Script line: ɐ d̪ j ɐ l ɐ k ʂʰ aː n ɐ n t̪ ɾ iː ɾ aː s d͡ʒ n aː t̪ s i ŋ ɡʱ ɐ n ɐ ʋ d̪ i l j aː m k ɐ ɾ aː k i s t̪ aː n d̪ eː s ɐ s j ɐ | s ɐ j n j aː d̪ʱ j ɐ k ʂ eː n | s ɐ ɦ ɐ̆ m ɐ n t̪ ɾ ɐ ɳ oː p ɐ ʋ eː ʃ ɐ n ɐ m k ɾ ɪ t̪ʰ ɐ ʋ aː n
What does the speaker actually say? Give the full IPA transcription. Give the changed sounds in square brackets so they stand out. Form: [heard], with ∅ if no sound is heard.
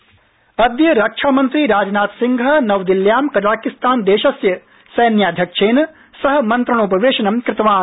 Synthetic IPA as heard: ɐ d̪ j ɐ [ɾ] ɐ k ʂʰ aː [m] ɐ n t̪ ɾ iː ɾ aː [∅] d͡ʒ n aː t̪ s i ŋ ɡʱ ɐ n ɐ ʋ d̪ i l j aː m k ɐ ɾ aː k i s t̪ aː n d̪ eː [ʃ] ɐ s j ɐ | s ɐ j n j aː d̪ʱ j ɐ k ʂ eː n | s ɐ ɦ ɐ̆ m ɐ n t̪ ɾ ɐ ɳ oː p ɐ ʋ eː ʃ ɐ n ɐ m k ɾ ɪ [t̪] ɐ ʋ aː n

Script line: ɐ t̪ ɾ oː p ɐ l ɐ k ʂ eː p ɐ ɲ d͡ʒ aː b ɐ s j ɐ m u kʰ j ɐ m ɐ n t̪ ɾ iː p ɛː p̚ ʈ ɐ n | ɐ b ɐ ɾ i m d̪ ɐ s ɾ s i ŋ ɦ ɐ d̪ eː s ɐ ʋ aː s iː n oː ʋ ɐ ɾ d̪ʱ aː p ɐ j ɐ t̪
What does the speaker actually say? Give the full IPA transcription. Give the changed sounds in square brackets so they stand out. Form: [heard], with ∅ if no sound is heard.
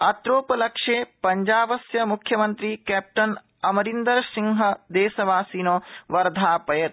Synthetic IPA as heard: ɐ t̪ ɾ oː p ɐ l ɐ k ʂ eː p ɐ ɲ d͡ʒ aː b ɐ s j ɐ m u kʰ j ɐ m ɐ n t̪ ɾ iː [k] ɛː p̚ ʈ ɐ n | ɐ [m] ɐ ɾ i [n] d̪ ɐ [∅] ɾ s i ŋ ɦ ɐ d̪ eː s ɐ ʋ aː s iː n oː ʋ ɐ ɾ d̪ʱ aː p ɐ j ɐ t̪

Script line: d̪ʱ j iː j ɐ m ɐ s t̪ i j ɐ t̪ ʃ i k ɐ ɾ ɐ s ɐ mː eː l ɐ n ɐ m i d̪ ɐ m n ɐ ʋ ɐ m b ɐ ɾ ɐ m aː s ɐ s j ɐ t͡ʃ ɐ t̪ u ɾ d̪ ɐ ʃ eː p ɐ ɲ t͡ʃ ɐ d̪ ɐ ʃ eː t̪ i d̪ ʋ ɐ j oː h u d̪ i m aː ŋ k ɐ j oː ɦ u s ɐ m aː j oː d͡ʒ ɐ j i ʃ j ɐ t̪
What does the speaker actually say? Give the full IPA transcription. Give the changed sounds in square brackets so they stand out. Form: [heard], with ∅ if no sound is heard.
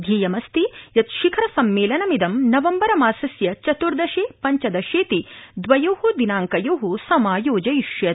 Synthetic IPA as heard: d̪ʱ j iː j ɐ m ɐ s t̪ i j ɐ t̪ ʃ i [kʰ] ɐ ɾ ɐ s ɐ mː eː l ɐ n ɐ m i d̪ ɐ m n ɐ ʋ ɐ m b ɐ ɾ ɐ m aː s ɐ s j ɐ t͡ʃ ɐ t̪ u ɾ d̪ ɐ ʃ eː p ɐ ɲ t͡ʃ ɐ d̪ ɐ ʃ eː t̪ i d̪ ʋ ɐ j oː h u d̪ i [n] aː ŋ k ɐ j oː ɦ u s ɐ m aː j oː d͡ʒ ɐ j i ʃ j ɐ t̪

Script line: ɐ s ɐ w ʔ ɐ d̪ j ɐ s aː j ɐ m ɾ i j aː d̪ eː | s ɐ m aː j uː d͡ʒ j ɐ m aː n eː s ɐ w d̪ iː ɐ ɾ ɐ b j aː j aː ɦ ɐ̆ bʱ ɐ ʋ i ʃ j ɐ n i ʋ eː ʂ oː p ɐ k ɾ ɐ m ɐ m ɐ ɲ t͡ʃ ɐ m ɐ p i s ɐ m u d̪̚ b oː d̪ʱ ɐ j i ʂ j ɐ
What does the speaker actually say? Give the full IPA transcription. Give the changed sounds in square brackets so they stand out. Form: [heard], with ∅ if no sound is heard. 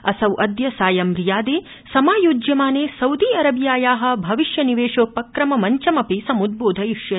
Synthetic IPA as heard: ɐ s ɐ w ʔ ɐ d̪ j ɐ s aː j ɐ m ɾ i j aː d̪ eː | s ɐ m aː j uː d͡ʒ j ɐ m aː n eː s ɐ w d̪ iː ɐ ɾ ɐ b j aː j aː ɦ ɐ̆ bʱ ɐ ʋ i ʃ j ɐ n i ʋ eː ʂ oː p ɐ k ɾ ɐ m ɐ m ɐ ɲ t͡ʃ ɐ m ɐ p i s ɐ m u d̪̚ b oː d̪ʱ ɐ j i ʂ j ɐ

